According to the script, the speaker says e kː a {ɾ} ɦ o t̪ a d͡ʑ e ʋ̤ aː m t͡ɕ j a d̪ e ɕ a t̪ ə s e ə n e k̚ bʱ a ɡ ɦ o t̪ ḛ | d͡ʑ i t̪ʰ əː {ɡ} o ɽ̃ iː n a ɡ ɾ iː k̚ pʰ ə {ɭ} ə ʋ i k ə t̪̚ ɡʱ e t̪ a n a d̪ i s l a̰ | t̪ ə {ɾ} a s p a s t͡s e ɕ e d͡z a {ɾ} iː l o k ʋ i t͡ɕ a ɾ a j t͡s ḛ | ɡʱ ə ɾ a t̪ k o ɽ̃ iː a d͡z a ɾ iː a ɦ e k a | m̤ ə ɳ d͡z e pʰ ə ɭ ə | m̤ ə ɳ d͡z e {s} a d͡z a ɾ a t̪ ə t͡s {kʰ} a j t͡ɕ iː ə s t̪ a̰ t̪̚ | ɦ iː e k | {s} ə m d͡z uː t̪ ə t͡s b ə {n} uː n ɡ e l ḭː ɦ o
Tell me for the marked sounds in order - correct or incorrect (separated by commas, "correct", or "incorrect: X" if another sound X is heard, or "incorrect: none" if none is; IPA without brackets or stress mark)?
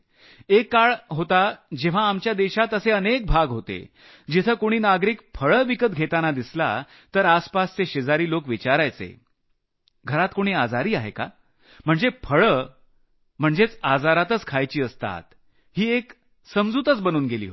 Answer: incorrect: ɭ, incorrect: k, correct, correct, correct, incorrect: t͡s, correct, correct, correct